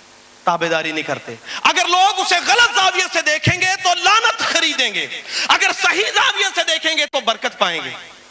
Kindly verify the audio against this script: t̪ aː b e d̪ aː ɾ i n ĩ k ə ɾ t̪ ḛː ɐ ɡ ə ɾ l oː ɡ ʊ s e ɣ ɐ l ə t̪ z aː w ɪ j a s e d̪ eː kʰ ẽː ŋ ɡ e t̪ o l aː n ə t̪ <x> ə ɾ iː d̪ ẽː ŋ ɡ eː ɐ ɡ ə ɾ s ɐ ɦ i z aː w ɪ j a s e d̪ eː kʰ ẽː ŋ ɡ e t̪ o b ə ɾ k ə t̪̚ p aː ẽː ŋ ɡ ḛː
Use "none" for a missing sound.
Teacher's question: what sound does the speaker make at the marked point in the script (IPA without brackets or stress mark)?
x